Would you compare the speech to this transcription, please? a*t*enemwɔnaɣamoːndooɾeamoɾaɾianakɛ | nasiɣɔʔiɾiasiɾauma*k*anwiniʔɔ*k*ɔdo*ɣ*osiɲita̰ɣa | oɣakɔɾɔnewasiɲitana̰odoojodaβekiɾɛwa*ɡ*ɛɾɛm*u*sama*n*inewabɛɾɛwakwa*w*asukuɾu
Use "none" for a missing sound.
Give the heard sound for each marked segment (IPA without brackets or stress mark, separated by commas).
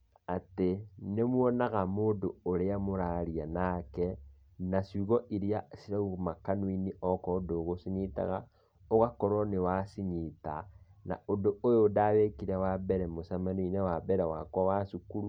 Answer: t, k, k, ɣ, b, o, n, w